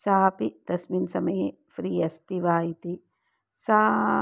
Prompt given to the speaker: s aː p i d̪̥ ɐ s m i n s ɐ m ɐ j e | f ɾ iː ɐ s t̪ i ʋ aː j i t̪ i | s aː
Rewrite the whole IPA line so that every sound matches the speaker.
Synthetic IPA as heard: s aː p i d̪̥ ɐ s m i n s ɐ m ɐ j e | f ɾ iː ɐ s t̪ i ʋ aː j i t̪ i | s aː